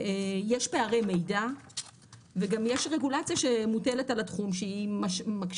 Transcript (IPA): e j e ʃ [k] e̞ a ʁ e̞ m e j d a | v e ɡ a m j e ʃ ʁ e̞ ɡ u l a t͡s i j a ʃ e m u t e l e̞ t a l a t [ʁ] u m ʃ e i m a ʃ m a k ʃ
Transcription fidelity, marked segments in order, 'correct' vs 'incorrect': incorrect: p, incorrect: χ

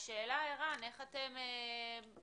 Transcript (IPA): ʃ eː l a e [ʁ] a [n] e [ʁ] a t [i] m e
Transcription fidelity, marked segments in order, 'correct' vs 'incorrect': correct, correct, incorrect: χ, incorrect: e

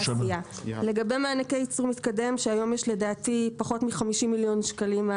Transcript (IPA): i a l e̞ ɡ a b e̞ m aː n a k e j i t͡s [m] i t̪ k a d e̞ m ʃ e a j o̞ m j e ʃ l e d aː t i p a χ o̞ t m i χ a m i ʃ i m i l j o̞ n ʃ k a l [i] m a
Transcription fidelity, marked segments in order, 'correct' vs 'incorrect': correct, correct

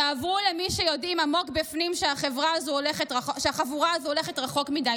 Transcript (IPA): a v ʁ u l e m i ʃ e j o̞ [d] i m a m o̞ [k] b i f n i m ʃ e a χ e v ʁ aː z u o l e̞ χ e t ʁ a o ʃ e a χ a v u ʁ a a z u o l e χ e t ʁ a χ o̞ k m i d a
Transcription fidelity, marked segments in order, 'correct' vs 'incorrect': correct, correct

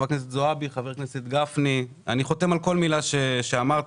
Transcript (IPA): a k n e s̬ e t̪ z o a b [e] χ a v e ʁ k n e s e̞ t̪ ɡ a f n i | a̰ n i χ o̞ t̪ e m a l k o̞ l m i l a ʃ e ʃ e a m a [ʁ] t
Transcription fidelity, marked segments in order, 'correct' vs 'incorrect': incorrect: i, correct

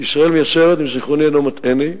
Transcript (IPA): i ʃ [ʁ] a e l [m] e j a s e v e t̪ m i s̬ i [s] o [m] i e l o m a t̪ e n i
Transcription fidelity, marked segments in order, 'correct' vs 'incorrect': correct, correct, incorrect: χ, incorrect: n

